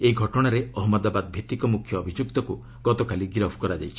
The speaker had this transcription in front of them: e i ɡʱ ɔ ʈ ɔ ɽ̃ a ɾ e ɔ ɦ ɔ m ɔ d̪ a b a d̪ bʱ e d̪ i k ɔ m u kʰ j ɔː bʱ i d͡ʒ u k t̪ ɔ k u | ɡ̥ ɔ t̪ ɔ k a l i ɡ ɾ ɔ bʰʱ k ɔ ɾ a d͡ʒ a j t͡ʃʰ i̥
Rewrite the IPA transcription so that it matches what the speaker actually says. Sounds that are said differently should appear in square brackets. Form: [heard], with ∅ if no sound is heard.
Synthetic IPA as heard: e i ɡʱ ɔ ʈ ɔ ɽ̃ a ɾ e ɔ ɦ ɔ m ɔ d̪ a b a d̪ bʱ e [t̪] i k ɔ m u kʰ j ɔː bʱ i d͡ʒ u k t̪ ɔ k u | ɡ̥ ɔ t̪ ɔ k a l i ɡ ɾ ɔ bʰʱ k ɔ ɾ a d͡ʒ a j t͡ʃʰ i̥